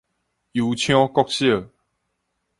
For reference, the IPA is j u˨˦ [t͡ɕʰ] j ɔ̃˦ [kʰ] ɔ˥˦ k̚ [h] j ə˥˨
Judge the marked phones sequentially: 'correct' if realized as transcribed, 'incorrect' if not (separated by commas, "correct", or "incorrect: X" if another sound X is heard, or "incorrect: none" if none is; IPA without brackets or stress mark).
correct, incorrect: k, incorrect: ɕ